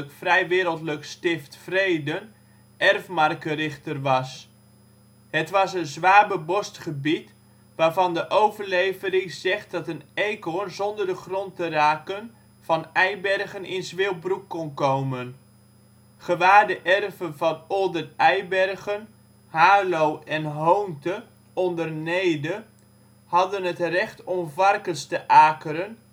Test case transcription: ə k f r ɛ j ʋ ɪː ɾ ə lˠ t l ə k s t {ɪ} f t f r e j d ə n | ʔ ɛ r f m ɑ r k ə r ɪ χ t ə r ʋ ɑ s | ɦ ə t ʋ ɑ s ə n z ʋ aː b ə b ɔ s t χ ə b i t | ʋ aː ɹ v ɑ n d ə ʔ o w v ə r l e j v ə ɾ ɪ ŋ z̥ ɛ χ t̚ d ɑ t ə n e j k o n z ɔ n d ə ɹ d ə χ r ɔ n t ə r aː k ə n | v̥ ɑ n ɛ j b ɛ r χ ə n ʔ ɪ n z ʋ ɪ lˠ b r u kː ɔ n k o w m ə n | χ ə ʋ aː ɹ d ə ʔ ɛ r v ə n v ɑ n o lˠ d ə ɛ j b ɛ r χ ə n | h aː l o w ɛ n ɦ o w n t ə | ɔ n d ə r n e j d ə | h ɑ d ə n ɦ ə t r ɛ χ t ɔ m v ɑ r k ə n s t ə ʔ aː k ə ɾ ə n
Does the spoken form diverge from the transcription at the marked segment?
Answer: no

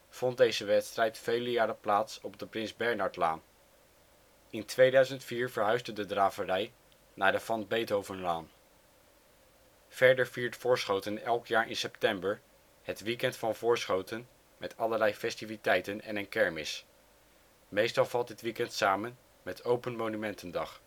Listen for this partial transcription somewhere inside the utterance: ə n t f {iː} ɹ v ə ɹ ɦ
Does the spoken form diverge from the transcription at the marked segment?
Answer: no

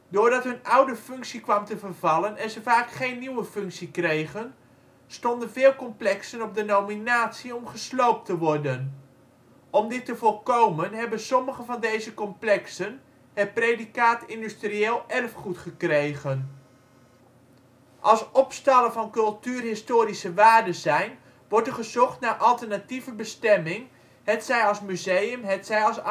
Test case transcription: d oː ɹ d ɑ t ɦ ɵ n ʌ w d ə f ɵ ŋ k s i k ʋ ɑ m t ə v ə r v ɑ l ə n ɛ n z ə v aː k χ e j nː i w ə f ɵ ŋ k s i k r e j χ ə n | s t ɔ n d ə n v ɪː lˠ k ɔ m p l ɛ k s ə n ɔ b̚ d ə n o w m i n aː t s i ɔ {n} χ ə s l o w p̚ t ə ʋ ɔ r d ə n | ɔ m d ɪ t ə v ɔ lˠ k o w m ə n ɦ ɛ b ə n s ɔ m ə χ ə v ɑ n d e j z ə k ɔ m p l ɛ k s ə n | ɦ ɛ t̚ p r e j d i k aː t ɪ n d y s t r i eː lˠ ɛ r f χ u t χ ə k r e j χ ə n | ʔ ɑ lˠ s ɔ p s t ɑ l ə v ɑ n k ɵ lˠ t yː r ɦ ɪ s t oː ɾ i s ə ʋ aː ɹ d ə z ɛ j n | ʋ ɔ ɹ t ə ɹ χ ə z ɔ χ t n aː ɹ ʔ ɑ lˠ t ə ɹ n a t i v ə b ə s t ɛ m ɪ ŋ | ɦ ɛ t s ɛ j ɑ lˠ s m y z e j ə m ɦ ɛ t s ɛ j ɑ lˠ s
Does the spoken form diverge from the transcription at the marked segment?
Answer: yes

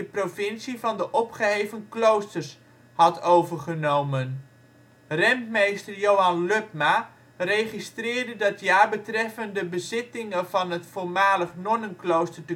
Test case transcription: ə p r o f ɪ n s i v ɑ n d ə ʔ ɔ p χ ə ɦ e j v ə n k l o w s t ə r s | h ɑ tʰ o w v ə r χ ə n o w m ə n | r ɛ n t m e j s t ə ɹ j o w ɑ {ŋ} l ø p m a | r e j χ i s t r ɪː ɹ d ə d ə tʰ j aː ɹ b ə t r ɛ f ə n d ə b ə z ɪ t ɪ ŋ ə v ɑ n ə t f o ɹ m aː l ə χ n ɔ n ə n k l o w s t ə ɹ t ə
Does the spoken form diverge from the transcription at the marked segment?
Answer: yes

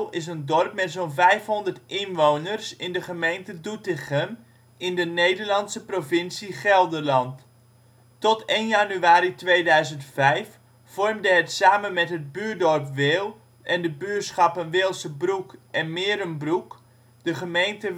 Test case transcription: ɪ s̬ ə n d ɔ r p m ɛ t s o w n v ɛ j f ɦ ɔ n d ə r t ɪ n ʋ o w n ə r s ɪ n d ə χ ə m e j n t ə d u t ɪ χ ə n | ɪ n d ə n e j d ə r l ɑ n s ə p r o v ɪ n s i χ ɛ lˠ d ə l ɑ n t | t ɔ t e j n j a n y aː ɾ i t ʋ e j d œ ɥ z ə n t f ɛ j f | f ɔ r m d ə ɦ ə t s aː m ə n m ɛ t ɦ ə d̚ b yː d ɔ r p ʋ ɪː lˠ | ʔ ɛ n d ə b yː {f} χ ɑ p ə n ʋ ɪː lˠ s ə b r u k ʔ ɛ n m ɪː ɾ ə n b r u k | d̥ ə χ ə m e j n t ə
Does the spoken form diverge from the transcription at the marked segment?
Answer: yes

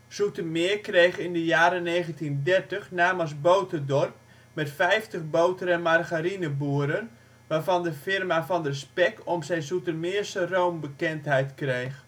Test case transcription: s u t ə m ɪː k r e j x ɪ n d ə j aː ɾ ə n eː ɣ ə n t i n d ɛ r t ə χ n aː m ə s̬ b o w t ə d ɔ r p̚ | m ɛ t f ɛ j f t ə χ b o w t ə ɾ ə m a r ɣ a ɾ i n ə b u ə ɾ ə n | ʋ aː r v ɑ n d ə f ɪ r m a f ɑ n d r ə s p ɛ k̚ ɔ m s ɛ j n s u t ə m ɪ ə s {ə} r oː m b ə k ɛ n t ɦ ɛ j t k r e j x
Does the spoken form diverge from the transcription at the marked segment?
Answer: no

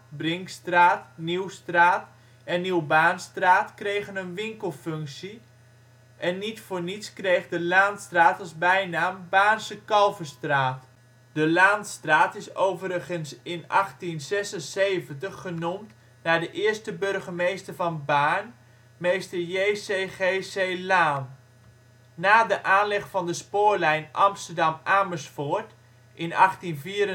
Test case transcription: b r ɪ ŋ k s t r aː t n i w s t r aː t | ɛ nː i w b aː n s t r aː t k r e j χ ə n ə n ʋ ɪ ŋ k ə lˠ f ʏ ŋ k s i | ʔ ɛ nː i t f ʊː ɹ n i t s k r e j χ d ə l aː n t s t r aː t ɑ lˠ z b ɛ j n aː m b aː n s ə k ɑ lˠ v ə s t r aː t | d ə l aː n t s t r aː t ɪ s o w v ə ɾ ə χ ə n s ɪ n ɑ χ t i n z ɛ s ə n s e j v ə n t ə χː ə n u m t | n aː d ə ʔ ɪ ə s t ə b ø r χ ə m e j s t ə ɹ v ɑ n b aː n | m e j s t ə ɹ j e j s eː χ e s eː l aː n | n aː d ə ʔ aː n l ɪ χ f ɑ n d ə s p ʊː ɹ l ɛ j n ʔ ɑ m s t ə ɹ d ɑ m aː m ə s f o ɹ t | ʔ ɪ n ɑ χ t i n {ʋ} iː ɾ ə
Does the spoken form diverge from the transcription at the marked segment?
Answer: yes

